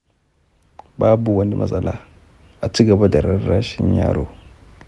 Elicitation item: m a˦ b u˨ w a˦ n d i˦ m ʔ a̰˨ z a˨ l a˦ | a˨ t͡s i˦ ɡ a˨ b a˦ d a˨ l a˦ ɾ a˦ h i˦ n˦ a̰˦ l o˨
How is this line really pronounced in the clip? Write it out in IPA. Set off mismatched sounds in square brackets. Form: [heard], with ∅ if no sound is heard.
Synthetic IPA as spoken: [b] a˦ b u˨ w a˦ n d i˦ m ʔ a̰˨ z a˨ l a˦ | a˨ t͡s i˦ ɡ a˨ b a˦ d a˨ [ɾ] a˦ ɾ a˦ [ʃ] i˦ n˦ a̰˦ [ɾ] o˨

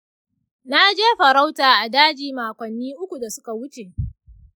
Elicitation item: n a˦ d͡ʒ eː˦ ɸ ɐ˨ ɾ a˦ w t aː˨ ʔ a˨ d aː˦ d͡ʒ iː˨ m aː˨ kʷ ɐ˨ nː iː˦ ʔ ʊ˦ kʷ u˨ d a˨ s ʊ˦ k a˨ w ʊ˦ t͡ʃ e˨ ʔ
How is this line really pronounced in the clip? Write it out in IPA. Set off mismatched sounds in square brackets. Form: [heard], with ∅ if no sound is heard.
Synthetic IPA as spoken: n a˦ d͡ʒ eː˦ ɸ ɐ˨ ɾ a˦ w t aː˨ ʔ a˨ d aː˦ d͡ʒ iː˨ m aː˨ kʷ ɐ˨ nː iː˦ ʔ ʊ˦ kʷ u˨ d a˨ s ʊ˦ k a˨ w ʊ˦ t͡ʃ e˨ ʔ

